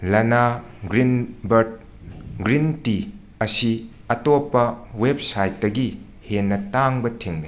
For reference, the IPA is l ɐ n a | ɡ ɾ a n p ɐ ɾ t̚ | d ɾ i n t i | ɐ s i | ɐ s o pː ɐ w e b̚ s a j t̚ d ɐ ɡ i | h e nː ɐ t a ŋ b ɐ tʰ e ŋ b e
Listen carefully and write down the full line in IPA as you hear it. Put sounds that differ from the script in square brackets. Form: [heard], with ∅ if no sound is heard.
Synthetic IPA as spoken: l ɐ n a | ɡ ɾ [i] n [b] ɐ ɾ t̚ | [ɡ] ɾ i n t i | ɐ s i | ɐ [t] o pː ɐ w e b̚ s a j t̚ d ɐ ɡ i | h e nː ɐ t a ŋ b ɐ tʰ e ŋ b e

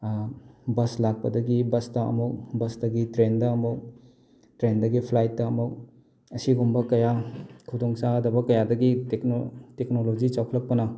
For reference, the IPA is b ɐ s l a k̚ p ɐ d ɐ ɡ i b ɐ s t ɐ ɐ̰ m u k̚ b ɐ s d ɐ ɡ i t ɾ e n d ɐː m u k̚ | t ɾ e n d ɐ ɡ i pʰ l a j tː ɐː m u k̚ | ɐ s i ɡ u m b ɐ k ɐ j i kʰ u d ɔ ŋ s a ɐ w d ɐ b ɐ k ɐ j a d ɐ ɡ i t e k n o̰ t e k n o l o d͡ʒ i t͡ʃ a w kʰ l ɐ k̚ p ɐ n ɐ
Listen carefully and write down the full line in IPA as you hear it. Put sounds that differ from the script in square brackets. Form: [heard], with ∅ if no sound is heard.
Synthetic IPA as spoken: b ɐ s l a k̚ p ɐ d ɐ ɡ i b ɐ s t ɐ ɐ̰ m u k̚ b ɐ s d ɐ ɡ i t ɾ e n d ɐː m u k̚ | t ɾ e n d ɐ ɡ i pʰ l a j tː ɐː m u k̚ | ɐ s i ɡ u m b ɐ k ɐ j [a] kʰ u d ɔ ŋ s a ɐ [∅] d ɐ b ɐ k ɐ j a d ɐ ɡ i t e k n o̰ t e k n o l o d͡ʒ i t͡ʃ a w kʰ l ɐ k̚ p ɐ n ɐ

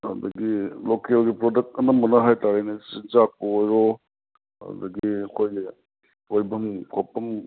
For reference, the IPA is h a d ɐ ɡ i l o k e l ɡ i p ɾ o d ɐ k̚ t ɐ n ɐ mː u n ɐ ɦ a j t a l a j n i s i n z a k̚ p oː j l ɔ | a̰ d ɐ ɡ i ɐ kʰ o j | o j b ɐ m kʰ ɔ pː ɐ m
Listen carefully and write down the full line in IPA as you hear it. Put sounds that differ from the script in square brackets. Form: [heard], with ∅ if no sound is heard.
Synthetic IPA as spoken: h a d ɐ ɡ i l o k e l ɡ i p ɾ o d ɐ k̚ t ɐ n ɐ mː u n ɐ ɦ a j t a [ɾ] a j n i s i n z a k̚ p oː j [ɾ] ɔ | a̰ d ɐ ɡ i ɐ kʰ o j | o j b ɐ m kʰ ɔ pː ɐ m

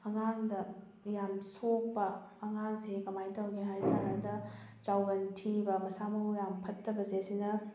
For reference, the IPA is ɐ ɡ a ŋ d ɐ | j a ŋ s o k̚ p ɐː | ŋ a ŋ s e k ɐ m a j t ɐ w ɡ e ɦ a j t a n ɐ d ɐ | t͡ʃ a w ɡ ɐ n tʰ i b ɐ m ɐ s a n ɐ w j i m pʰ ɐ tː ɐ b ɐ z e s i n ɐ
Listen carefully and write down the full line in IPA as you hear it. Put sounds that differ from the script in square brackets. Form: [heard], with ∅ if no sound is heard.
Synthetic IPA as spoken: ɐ [ŋ] a ŋ d ɐ | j a [m] s o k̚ p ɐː | ŋ a ŋ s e k ɐ m a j t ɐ w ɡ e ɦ a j t a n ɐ d ɐ | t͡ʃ a w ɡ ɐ n tʰ i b ɐ m ɐ s a [m] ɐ w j [a] m pʰ ɐ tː ɐ b ɐ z e s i n ɐ

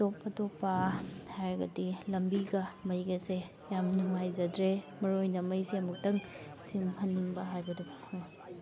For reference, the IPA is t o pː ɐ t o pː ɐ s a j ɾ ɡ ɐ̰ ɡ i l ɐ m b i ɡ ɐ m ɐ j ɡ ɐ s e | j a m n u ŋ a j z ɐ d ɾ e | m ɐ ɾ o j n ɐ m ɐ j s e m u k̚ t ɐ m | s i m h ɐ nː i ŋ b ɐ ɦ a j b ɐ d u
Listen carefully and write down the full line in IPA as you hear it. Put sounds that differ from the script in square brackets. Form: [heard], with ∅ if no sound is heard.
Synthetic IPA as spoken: t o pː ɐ t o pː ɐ [h] a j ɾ ɡ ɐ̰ [d] i l ɐ m b i ɡ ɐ m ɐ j ɡ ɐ s e | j a m n u ŋ a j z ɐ d ɾ e | m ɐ ɾ o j n ɐ m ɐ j s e m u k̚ t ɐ [ŋ] | s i m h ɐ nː i ŋ b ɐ ɦ a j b ɐ d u

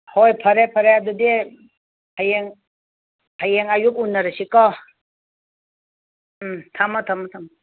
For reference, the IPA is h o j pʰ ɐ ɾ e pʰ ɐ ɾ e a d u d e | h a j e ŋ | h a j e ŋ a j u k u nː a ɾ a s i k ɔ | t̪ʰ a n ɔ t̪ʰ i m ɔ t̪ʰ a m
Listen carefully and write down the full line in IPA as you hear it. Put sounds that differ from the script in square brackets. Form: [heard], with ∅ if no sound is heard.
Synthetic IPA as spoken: h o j pʰ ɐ ɾ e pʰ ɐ ɾ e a d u d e | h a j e ŋ | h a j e ŋ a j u k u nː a ɾ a s i k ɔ | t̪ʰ a [m] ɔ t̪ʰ [a] m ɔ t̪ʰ a m

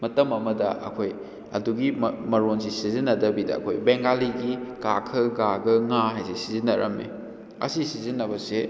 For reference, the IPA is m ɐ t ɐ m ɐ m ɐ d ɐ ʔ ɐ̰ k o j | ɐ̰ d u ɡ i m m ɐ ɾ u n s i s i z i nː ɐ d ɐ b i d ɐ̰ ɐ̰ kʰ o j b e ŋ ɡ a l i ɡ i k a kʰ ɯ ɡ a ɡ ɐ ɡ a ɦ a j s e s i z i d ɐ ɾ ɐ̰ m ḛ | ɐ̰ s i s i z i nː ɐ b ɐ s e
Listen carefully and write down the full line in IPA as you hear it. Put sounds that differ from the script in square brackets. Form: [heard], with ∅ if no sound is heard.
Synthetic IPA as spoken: m ɐ t ɐ m ɐ m ɐ d ɐ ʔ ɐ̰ [kʰ] o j | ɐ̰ d u ɡ i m m ɐ ɾ [o] n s i s i z i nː ɐ d ɐ b i d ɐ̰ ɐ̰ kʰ o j b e ŋ ɡ a l i ɡ i k a kʰ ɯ ɡ a ɡ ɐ [ŋ] a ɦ a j s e s i z i [n] ɐ ɾ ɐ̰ m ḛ | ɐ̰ s i s i z i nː ɐ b ɐ s e

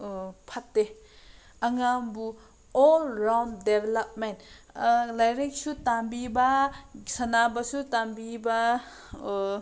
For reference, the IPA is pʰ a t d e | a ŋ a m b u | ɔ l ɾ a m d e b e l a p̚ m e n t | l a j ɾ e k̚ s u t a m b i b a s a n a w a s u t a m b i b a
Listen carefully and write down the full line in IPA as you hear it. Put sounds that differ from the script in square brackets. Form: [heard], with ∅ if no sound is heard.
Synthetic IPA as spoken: pʰ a t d e | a ŋ a m b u | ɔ l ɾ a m d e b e l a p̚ m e n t | l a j ɾ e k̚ s u t a m b i b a s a n a [b] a s u t a m b i b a

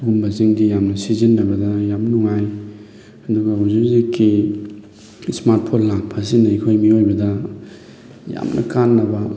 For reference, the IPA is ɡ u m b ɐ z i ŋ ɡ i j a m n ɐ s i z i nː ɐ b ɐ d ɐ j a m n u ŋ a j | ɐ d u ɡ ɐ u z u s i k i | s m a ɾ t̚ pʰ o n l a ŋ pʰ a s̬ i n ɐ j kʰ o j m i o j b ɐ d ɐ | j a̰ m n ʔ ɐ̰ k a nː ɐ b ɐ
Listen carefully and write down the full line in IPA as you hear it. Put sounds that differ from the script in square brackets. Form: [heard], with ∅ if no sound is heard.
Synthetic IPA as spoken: ɡ u m b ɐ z i ŋ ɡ i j a m n ɐ s i z i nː ɐ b ɐ d ɐ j a m n u ŋ a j | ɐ d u ɡ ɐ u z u [z] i k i | s m a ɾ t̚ pʰ o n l a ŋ pʰ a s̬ i n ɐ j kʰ o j m i o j b ɐ d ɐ | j a̰ m n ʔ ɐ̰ k a nː ɐ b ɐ

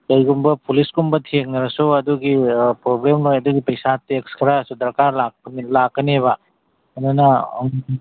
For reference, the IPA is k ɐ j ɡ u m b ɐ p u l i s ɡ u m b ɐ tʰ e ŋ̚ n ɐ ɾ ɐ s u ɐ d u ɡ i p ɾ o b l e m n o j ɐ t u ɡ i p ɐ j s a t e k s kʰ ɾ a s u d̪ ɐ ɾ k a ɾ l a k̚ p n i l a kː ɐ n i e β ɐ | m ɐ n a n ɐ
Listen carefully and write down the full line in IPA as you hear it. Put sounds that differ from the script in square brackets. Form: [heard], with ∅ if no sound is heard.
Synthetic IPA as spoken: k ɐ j ɡ u m b ɐ p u l i s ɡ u m b ɐ tʰ e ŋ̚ n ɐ ɾ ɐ s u ɐ d u ɡ i p ɾ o b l e m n o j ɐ [d] u ɡ i p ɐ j s a t e k s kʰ ɾ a s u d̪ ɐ ɾ k a ɾ l a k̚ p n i l a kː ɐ n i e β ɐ | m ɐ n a n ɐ

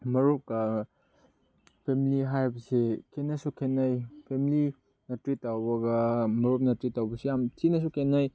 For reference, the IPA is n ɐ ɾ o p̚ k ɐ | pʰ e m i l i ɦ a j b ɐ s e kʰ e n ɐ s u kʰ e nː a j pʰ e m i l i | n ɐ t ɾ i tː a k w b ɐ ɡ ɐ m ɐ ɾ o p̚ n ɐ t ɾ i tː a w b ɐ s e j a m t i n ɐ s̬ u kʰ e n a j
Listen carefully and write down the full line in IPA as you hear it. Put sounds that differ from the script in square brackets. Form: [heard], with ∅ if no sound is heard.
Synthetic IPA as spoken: [m] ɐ ɾ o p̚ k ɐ | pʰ e m i l i ɦ a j b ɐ s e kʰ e n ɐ s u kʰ e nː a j pʰ e m i l i | n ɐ t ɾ i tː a [∅] w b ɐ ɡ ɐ m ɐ ɾ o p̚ n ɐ t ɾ i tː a w b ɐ s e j a m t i n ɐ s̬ u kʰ e n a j

